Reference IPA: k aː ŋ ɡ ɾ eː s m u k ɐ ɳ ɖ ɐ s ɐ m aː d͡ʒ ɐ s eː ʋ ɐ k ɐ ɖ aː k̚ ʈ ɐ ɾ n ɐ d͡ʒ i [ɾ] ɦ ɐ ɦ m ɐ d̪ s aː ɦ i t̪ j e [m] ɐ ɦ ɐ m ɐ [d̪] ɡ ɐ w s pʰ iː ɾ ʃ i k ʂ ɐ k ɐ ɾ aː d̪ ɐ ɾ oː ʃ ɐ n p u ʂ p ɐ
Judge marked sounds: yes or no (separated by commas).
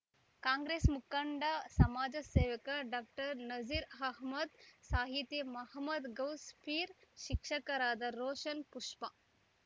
yes, yes, yes